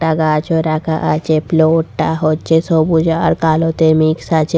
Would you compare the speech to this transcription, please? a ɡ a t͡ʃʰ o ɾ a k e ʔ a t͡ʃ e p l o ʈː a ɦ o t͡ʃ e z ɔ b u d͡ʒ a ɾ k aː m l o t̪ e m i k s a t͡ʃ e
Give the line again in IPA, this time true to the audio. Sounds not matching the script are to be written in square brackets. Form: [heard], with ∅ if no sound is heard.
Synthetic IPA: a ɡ a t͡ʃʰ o ɾ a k [a] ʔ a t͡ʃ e p l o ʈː a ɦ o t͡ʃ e [s] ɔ b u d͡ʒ a ɾ k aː [∅] l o t̪ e m i k s a t͡ʃ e